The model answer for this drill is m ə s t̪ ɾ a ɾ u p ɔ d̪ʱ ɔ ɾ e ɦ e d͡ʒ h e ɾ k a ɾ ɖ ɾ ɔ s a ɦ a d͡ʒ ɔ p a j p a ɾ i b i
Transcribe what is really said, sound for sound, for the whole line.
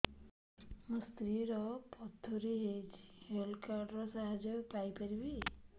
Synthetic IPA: m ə s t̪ ɾ i ɾ ɔ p ɔ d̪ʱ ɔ ɾ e ɦ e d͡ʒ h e l k a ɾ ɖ ɾ ɔ s a ɦ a d͡ʒ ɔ p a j p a ɾ i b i